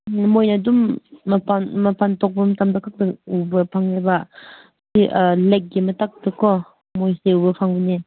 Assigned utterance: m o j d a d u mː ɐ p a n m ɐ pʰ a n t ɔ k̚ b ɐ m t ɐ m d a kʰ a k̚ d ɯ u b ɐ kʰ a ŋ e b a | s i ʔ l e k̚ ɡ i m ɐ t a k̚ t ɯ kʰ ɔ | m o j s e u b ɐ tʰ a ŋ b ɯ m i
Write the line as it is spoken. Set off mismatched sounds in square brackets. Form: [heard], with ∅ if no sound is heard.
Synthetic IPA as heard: m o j [n] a d u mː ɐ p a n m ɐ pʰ a n t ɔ k̚ b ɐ m t [a] m d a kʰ a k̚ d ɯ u b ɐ [pʰ] a ŋ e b a | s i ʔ l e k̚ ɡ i m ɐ t a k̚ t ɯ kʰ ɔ | m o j s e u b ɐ [pʰ] a ŋ b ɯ [n] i